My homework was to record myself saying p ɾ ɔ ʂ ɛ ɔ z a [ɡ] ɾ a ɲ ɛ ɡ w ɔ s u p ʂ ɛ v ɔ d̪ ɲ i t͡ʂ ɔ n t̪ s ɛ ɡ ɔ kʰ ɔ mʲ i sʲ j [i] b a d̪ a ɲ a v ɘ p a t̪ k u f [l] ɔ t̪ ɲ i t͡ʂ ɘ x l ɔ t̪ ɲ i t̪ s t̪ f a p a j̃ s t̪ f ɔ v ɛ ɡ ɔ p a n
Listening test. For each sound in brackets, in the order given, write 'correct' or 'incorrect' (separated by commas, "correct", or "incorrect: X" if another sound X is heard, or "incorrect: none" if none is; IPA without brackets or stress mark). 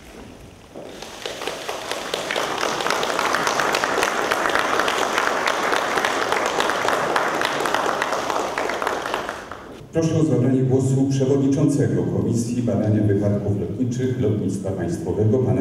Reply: incorrect: b, correct, correct